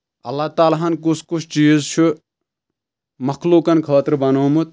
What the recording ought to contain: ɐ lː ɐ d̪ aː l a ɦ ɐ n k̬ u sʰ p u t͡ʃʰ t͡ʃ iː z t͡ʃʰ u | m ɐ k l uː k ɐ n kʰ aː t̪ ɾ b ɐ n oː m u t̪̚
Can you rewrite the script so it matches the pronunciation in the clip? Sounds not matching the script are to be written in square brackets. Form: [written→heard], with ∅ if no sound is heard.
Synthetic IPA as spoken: ɐ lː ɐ [d̪→t̪] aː l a ɦ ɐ n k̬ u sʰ [p→k] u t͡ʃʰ t͡ʃ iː z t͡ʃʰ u | m ɐ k l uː k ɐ n kʰ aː t̪ ɾ b ɐ n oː m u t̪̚